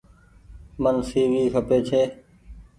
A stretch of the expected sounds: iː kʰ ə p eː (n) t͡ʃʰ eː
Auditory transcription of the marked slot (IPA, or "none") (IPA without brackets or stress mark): none